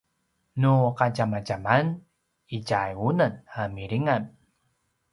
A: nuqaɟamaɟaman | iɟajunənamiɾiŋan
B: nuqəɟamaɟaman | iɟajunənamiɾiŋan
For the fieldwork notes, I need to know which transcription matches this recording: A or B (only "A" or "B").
A